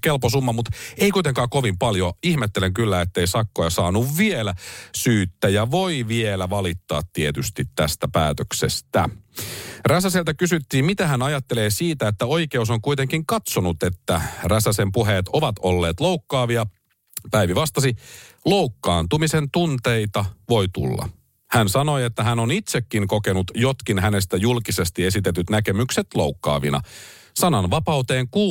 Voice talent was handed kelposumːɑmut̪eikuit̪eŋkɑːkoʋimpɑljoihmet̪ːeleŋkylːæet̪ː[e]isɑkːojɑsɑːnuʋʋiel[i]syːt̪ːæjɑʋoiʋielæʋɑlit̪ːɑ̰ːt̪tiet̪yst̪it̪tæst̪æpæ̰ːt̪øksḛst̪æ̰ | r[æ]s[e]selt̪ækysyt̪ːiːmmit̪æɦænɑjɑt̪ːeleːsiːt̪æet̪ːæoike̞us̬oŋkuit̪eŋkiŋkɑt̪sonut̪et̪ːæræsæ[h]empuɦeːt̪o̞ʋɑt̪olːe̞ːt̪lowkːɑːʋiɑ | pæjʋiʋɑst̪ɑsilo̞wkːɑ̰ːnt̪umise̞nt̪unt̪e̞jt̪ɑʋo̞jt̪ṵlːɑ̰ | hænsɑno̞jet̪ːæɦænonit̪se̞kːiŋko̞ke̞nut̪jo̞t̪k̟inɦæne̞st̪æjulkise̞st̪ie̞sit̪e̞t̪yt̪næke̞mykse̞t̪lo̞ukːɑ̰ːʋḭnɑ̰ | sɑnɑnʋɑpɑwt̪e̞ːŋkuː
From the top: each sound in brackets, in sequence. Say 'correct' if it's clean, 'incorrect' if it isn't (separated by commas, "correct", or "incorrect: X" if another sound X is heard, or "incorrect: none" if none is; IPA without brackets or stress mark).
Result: correct, incorrect: æ, correct, incorrect: æ, incorrect: s